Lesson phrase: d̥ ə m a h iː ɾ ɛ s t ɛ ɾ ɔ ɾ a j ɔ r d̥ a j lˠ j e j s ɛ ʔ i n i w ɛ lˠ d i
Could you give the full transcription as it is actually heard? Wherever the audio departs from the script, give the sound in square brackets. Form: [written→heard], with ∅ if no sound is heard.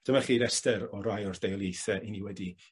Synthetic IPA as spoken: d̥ ə m a [h→χ] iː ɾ ɛ s t ɛ ɾ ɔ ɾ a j ɔ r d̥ [a→e] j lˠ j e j [s→θ] ɛ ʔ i n i w ɛ [lˠ→∅] d i